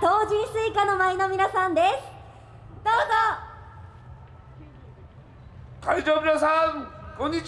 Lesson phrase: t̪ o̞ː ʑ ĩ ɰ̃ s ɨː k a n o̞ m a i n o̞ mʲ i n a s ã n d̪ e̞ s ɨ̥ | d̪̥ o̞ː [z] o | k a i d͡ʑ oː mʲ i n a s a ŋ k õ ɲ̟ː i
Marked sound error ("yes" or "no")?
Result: no